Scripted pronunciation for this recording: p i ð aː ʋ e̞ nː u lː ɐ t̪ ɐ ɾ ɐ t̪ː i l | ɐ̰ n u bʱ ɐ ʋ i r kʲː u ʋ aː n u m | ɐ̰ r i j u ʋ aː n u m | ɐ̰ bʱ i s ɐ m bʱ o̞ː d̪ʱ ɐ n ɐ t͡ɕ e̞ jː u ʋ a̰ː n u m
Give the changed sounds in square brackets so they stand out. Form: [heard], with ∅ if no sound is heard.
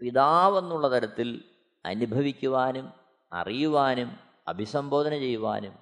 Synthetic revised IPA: p i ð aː ʋ e̞ nː u [ɭː] ɐ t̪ ɐ ɾ ɐ t̪ː i l | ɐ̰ n u bʱ ɐ ʋ i [∅] kʲː u ʋ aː n u m | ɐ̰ r i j u ʋ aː n u m | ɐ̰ bʱ i s ɐ m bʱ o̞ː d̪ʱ ɐ n ɐ t͡ɕ e̞ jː u ʋ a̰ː n u m